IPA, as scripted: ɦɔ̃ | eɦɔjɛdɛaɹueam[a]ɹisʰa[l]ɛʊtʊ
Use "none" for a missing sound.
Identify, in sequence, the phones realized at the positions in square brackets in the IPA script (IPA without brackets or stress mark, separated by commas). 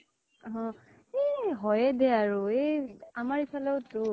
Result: a, l